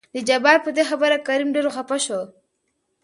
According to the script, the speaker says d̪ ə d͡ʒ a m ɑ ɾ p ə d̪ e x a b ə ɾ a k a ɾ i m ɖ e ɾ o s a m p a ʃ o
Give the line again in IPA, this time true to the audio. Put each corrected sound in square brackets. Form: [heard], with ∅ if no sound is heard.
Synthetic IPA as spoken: d̪ ə d͡ʒ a [b] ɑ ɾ p ə d̪ e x a b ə ɾ a k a ɾ i m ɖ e ɾ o [x] a [∅] p a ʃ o